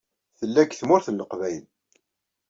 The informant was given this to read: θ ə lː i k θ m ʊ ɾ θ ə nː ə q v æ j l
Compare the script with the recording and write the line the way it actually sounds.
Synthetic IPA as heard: θ ə lː æ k θ m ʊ ɾ θ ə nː ə q v æ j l